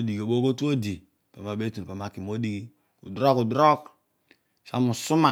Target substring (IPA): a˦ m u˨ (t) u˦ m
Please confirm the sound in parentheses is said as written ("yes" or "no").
no